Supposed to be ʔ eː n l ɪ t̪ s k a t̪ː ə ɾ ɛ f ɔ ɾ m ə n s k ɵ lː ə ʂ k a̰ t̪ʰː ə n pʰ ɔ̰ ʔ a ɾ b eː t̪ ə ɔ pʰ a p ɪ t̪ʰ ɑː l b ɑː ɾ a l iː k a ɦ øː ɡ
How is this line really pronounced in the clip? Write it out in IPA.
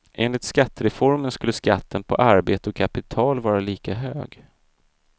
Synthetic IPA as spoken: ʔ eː n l ɪ t̪ s k a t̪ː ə ɾ ɛ f ɔ ɾ m ə n s k ɵ lː ə s k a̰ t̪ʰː ə n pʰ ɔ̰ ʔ a ɾ b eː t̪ ə ɔ kʰ a p ɪ t̪ʰ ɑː l v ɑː ɾ a l iː k a ɦ øː ɡ